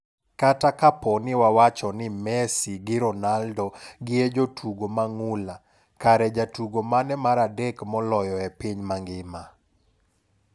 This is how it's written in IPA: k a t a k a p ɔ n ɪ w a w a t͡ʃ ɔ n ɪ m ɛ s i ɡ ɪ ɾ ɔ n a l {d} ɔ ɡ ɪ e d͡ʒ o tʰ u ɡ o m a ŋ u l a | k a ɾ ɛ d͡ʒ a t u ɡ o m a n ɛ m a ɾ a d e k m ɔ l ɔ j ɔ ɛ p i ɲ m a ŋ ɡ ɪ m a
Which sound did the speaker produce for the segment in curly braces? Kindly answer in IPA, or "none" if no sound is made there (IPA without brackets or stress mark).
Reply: d